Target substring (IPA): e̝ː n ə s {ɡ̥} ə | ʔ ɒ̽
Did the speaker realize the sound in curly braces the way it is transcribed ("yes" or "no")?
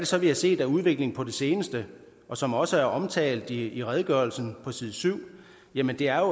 no